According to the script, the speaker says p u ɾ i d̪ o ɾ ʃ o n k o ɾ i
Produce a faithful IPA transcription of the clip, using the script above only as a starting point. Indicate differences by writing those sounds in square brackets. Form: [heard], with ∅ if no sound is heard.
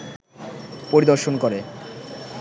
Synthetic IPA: p [o] ɾ i d̪ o ɾ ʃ o n k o ɾ [e]